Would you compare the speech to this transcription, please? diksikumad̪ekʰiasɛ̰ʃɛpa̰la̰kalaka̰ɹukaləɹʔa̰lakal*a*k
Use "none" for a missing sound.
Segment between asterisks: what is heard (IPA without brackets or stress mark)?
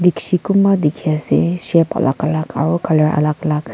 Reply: a